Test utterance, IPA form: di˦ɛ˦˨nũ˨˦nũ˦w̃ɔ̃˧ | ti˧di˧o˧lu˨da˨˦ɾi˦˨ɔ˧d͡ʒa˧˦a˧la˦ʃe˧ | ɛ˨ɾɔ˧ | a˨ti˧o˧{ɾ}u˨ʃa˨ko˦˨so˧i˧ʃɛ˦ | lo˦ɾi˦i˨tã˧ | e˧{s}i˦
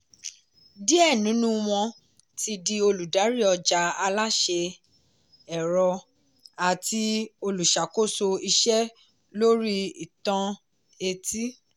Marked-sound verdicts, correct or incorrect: incorrect, incorrect

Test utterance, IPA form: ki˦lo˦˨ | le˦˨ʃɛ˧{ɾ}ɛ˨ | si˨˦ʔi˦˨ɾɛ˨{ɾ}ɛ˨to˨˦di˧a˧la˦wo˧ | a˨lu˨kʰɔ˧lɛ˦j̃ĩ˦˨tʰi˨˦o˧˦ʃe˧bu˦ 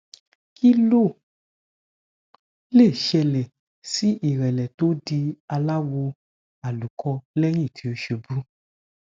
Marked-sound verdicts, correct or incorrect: incorrect, incorrect

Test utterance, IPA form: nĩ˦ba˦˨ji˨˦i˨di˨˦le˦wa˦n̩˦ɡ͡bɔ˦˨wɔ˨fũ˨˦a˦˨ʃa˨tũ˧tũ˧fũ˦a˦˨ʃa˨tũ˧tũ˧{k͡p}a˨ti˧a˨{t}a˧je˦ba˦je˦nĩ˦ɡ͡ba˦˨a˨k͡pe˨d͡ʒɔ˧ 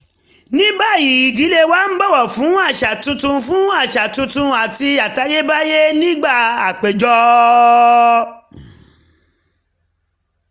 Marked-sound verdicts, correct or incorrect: incorrect, correct

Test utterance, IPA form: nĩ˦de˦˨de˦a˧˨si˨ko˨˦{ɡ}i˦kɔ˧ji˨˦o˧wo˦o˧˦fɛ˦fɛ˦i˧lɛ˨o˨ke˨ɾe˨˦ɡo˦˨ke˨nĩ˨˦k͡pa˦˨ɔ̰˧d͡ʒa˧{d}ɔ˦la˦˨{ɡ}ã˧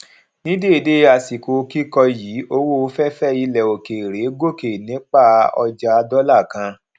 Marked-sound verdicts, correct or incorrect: incorrect, correct, incorrect

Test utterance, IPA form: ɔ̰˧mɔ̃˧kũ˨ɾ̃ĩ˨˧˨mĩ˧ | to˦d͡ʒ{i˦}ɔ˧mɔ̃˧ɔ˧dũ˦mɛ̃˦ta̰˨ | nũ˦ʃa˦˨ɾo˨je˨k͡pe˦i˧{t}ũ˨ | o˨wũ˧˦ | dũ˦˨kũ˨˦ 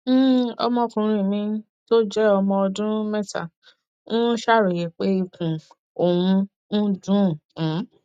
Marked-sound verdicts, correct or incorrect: incorrect, incorrect

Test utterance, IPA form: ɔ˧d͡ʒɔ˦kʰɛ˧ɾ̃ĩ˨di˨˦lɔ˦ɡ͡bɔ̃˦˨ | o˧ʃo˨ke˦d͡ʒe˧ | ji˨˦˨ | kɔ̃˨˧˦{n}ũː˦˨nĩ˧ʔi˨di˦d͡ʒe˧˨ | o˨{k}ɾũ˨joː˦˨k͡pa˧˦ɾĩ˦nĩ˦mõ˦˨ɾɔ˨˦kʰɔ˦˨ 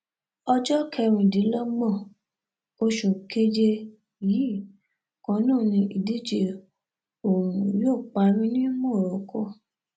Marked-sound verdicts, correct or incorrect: correct, incorrect

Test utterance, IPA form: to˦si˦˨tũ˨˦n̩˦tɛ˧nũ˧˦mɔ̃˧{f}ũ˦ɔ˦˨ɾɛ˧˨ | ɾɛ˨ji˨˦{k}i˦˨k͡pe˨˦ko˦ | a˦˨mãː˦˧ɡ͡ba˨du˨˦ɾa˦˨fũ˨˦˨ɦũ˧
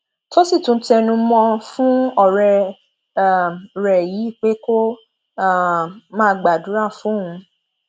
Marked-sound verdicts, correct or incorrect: correct, incorrect

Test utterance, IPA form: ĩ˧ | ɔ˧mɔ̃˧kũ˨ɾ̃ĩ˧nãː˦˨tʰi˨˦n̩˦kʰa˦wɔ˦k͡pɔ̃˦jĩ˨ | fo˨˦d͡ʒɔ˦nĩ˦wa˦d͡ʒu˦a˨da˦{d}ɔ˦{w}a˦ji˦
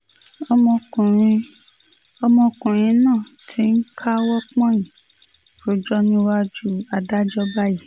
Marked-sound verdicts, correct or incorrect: incorrect, incorrect

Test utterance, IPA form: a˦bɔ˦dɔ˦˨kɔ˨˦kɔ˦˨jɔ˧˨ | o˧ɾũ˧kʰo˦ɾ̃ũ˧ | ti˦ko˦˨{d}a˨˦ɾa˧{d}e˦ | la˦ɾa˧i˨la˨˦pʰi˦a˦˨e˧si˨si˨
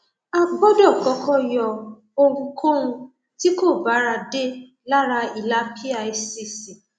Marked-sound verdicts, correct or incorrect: incorrect, correct

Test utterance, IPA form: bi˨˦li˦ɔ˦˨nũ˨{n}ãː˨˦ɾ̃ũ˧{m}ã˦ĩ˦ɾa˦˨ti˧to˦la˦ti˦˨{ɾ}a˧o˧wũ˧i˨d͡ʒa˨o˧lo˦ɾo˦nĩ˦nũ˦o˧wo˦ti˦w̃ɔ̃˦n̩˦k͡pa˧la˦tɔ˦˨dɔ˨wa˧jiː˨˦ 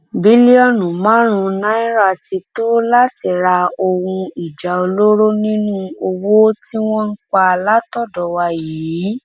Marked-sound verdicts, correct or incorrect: incorrect, incorrect, correct

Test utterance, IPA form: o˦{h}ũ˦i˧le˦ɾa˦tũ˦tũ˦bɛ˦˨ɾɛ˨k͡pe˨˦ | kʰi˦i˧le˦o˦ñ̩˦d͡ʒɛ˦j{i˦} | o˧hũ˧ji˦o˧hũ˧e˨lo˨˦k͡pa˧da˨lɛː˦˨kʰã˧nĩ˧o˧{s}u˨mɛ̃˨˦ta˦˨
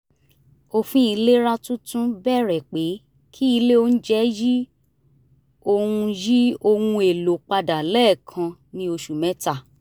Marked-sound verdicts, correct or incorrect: incorrect, correct, incorrect

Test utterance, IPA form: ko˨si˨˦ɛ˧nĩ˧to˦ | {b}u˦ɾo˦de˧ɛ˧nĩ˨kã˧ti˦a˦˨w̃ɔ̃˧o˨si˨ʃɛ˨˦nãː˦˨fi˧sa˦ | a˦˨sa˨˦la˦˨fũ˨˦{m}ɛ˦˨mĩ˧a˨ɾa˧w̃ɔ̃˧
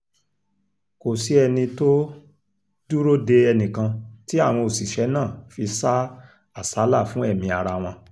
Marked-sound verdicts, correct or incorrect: incorrect, incorrect

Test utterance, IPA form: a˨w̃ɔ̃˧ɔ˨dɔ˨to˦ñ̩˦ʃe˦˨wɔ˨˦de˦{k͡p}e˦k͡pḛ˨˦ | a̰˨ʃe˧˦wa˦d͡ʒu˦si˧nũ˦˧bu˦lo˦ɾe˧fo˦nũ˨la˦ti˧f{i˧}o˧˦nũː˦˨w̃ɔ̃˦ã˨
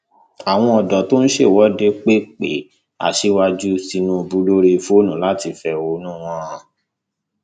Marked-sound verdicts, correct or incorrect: correct, incorrect

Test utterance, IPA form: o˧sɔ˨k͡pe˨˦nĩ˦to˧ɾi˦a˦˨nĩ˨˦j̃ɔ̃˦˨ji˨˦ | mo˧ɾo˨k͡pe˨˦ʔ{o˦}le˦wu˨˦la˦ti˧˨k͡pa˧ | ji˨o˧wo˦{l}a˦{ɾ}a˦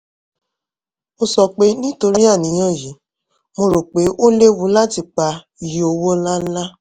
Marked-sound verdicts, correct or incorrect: correct, correct, incorrect

